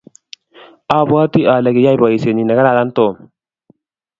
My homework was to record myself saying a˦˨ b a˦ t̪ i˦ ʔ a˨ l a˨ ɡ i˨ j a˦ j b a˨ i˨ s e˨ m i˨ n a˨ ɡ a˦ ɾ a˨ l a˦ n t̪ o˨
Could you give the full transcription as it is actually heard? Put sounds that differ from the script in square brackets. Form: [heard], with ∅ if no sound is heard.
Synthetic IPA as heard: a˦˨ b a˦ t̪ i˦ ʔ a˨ l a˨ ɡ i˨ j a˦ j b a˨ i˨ s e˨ [n] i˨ n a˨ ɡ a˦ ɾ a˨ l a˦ n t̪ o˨